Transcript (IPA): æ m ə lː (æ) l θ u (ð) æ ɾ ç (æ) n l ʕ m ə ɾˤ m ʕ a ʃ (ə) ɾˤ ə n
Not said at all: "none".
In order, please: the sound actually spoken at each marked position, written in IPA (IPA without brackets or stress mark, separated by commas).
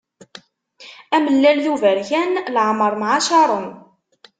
æ, v, æ, ɑ